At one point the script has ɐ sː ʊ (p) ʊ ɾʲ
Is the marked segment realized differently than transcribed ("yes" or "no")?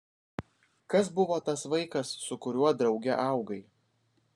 yes